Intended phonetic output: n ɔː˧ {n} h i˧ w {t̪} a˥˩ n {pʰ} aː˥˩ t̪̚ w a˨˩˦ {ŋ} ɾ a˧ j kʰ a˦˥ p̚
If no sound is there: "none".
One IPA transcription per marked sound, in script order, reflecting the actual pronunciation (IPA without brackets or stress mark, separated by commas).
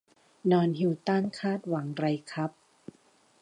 n, t̪, kʰ, ŋ